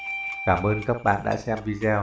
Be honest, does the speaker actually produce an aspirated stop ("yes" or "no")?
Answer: no